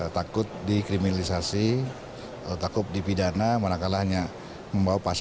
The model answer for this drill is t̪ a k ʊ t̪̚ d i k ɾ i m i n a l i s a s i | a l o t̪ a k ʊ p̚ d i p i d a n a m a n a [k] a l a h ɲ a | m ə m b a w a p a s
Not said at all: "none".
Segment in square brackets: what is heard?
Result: k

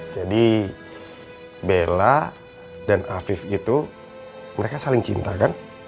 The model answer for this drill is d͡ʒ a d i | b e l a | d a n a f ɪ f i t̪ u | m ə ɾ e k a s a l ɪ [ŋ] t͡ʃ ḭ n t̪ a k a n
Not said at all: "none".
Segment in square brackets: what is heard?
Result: ŋ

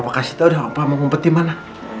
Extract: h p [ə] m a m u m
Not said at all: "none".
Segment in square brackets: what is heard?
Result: a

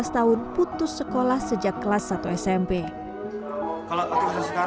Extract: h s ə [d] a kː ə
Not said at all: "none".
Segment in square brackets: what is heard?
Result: d͡ʒ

